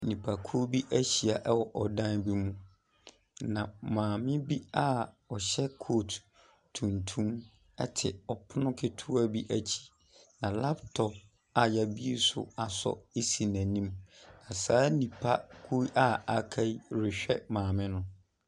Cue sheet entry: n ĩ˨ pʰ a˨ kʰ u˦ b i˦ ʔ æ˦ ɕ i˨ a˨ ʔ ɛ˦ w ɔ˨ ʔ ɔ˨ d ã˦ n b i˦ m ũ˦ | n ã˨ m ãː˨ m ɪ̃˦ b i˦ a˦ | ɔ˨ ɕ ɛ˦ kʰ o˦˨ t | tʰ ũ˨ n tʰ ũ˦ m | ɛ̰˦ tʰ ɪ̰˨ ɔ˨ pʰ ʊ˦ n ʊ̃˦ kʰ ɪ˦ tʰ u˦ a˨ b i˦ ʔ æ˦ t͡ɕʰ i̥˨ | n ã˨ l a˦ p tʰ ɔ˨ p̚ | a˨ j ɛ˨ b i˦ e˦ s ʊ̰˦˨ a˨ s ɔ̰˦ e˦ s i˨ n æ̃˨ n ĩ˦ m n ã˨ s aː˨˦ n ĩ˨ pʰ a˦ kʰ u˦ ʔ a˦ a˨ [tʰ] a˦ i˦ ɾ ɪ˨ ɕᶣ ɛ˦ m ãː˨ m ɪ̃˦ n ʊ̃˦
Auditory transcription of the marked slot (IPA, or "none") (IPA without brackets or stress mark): kʰ